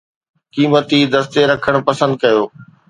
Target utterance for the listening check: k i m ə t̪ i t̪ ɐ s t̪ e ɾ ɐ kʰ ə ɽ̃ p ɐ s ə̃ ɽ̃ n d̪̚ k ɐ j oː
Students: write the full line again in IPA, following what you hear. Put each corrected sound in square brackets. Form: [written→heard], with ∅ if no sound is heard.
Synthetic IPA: k [i→iː] m ə t̪ i [t̪→d̪] ɐ s t̪ e ɾ ɐ kʰ ə ɽ̃ p ɐ s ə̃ [ɽ̃→∅] n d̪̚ k ɐ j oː